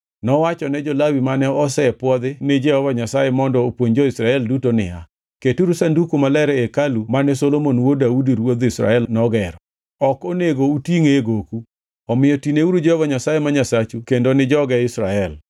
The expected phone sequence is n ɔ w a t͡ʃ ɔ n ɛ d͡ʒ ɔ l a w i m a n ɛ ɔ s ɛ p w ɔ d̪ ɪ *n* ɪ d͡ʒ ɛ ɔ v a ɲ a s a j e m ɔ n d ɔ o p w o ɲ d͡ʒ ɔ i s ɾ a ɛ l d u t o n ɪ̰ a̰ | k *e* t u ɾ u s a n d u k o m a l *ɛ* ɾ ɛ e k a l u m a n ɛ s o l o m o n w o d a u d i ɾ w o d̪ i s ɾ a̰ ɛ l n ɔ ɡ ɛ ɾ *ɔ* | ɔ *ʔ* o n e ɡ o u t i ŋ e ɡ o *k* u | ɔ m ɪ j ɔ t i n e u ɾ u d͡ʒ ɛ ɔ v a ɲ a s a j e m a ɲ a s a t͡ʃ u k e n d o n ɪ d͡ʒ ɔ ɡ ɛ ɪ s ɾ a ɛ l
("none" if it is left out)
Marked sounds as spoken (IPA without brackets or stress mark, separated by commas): n, e, ɛ, ɔ, k, k